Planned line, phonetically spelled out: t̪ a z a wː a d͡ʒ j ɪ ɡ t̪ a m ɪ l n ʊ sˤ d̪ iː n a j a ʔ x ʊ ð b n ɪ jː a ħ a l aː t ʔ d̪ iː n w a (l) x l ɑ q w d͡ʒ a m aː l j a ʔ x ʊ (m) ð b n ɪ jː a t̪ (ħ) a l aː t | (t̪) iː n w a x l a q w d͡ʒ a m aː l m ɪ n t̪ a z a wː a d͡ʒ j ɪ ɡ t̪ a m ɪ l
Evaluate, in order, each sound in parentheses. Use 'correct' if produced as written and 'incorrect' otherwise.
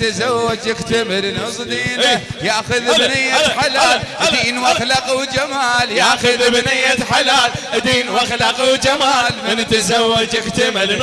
incorrect: none, incorrect: none, correct, incorrect: d̪

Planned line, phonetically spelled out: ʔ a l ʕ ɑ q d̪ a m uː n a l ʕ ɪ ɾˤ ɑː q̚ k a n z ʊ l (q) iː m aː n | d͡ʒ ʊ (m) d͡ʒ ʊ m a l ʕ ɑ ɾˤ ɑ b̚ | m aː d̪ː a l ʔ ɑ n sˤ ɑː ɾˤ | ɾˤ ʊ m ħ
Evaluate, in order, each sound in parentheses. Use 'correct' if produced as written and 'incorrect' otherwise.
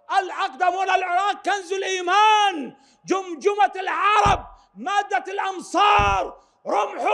incorrect: ʔ, correct

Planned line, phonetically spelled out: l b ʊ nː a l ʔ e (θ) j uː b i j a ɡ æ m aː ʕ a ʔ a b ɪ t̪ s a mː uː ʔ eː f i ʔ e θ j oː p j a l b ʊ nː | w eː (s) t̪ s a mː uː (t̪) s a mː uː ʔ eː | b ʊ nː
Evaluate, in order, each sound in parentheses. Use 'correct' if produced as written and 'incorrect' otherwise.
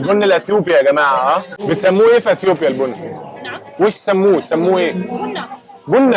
correct, incorrect: ʃ, correct

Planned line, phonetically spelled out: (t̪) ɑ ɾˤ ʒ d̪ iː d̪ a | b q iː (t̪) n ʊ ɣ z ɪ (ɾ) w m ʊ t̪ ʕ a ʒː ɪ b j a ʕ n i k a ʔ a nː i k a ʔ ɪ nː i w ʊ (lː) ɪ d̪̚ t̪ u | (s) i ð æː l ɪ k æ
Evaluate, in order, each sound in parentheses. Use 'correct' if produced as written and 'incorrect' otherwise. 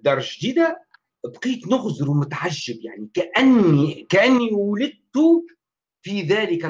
incorrect: d̪, correct, correct, incorrect: l, incorrect: f

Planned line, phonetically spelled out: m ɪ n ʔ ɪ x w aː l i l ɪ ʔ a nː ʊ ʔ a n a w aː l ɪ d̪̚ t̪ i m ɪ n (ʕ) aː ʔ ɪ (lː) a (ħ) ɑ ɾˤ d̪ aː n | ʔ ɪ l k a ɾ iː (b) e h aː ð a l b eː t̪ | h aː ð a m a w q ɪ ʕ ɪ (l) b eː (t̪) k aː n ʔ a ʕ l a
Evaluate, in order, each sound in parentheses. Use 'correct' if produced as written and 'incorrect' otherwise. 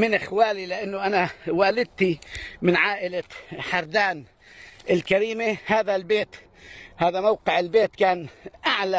correct, incorrect: l, correct, incorrect: m, correct, correct

